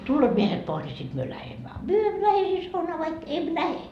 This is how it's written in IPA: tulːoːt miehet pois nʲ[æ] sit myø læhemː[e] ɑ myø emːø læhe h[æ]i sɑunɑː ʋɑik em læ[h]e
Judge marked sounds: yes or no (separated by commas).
no, no, no, yes